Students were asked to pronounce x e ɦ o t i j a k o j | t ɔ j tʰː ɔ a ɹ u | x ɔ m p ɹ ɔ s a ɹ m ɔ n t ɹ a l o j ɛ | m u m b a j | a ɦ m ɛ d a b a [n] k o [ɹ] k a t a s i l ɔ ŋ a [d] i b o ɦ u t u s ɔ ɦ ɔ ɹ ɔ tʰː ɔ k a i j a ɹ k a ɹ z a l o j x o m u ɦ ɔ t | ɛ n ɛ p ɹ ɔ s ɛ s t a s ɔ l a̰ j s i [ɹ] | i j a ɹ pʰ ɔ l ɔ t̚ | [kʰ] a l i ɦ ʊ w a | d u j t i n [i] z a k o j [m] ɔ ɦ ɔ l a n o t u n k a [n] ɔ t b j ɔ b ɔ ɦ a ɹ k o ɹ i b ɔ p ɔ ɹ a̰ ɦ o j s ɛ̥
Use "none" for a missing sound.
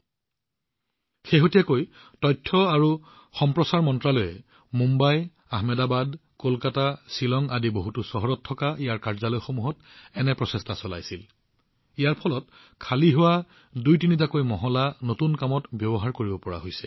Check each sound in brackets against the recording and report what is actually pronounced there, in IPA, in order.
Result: d, l, d, l, kʰ, i, m, m

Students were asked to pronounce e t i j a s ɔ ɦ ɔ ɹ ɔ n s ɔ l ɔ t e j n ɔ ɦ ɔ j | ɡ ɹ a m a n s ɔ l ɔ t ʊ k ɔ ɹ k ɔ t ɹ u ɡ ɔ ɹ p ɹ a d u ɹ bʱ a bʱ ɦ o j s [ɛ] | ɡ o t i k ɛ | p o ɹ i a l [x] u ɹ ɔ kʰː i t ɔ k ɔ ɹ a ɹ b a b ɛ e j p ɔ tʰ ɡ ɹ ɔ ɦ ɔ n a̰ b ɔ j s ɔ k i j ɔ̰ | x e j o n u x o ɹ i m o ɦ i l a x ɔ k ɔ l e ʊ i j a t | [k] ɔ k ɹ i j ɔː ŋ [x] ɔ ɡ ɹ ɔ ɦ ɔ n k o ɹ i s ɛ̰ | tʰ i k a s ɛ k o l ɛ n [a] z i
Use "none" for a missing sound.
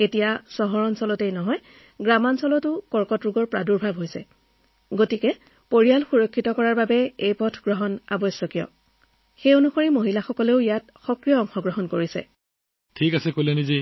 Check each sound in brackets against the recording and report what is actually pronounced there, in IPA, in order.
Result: ɛ, x, x, x, i

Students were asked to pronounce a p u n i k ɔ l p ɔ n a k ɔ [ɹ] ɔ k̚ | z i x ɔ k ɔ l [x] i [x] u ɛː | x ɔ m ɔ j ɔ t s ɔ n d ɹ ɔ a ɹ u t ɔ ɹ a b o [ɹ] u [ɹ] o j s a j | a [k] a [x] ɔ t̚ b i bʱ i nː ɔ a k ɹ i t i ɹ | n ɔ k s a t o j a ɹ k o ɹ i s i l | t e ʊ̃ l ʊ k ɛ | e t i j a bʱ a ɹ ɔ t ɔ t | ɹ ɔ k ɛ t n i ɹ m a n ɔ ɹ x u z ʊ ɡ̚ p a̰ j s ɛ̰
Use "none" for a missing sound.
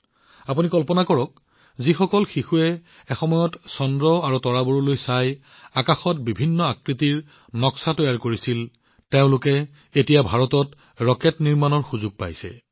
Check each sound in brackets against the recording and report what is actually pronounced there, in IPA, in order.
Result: ɹ, x, x, ɹ, l, k, x

